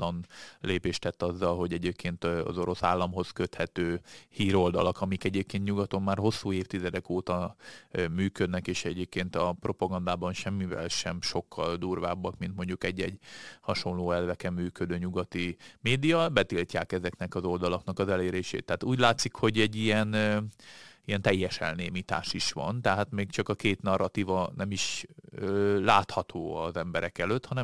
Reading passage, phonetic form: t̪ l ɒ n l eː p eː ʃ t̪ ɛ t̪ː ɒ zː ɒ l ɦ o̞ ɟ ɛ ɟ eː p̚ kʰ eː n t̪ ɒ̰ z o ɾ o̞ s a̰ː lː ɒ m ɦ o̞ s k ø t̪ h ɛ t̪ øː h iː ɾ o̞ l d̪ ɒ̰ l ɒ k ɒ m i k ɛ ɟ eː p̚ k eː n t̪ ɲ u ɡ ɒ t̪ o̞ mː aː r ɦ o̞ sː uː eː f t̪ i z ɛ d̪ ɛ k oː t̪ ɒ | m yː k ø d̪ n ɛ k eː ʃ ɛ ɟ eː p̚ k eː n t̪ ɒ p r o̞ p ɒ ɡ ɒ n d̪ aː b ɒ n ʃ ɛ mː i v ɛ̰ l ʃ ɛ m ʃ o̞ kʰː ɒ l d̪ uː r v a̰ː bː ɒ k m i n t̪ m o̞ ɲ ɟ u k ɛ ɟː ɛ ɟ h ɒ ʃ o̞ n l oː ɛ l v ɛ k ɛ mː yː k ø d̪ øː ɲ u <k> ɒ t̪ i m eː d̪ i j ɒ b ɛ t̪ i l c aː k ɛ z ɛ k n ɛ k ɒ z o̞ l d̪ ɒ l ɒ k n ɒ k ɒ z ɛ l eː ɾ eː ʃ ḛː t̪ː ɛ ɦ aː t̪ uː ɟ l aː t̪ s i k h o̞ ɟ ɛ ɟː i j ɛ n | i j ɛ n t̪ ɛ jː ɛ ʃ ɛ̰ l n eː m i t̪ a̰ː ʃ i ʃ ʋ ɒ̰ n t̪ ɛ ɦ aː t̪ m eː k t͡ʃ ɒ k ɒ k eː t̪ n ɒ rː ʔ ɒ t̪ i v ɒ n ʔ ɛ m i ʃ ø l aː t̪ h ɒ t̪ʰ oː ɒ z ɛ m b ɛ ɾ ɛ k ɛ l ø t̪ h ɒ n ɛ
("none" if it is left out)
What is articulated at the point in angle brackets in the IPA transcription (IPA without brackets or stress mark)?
ɡ